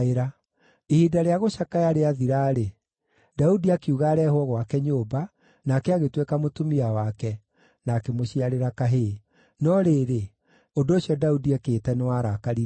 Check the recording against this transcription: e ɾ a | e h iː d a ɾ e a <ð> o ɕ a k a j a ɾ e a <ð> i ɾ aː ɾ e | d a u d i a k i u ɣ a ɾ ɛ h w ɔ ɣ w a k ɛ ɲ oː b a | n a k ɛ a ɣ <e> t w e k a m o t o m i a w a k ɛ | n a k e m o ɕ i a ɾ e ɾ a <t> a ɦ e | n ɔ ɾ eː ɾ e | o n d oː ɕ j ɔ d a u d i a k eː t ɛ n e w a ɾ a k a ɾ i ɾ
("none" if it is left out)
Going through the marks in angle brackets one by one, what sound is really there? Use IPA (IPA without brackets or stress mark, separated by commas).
ɣ, ð, e, k